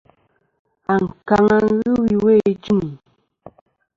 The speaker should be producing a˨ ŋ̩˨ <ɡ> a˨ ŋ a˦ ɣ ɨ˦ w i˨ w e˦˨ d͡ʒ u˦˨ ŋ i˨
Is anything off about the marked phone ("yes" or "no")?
yes